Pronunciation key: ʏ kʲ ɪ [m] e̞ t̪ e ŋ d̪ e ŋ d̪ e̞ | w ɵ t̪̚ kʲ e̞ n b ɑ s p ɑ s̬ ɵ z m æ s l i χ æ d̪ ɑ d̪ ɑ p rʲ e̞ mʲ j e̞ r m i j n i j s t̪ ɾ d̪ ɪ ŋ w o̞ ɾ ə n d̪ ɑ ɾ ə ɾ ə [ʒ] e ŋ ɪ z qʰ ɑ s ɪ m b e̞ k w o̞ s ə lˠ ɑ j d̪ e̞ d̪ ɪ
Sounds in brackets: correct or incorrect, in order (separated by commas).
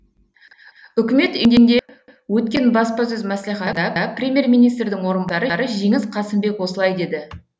correct, correct